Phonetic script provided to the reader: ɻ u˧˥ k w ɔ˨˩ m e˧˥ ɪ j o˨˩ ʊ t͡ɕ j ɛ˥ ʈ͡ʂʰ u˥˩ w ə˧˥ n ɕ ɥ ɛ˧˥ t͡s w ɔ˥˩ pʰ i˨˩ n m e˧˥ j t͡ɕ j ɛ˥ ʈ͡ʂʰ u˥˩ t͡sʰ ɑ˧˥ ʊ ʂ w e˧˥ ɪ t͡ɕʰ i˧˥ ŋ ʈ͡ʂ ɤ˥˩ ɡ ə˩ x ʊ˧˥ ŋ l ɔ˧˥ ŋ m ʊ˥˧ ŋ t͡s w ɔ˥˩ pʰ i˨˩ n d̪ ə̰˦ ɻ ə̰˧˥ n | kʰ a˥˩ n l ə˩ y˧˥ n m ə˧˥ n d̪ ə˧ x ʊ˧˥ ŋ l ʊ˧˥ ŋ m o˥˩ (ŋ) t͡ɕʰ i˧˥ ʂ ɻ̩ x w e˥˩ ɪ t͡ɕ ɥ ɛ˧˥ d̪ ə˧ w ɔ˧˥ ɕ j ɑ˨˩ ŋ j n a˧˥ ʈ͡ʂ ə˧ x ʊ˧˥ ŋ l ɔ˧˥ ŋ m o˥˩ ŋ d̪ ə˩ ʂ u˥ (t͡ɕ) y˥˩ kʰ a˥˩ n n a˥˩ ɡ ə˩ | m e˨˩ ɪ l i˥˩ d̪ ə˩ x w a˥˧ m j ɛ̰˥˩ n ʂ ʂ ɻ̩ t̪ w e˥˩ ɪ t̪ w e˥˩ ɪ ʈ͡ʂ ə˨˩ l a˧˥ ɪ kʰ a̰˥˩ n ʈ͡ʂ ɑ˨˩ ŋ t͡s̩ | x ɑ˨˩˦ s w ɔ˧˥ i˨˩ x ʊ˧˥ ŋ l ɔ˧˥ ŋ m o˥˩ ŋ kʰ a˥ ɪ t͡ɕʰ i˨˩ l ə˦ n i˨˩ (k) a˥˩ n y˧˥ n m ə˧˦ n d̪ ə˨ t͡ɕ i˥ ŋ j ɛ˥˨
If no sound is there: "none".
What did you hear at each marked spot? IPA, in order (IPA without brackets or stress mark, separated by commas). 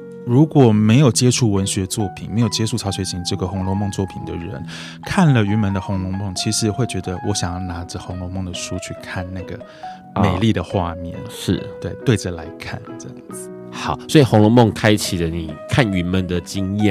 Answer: ŋ, t͡ɕʰ, kʰ